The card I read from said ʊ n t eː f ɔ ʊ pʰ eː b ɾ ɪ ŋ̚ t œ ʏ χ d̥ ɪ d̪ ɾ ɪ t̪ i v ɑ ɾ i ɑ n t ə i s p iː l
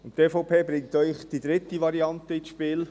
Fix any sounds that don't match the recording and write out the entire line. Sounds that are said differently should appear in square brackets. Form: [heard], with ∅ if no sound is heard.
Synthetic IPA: ʊ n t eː f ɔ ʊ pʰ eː b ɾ ɪ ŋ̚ t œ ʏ χ d̥ [i] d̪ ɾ ɪ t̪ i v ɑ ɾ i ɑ n t ə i [ʃ] p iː l